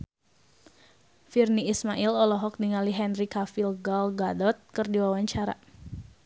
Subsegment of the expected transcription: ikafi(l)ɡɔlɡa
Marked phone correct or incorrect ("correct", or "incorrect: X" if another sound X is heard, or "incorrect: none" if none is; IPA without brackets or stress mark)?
correct